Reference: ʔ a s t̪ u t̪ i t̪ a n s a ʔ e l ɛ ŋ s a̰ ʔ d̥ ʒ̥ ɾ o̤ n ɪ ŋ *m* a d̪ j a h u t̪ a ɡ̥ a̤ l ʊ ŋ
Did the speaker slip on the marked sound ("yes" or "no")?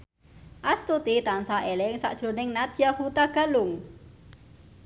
yes